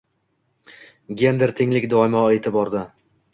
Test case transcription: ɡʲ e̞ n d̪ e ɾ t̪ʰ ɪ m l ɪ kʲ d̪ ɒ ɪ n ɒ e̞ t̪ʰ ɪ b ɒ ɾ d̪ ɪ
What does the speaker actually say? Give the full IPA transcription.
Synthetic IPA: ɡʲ e̞ n d̪ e ɾ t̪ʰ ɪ ŋ l ɪ kʲ d̪ ɒ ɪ m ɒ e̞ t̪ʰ ɪ b ɒ ɾ d̪ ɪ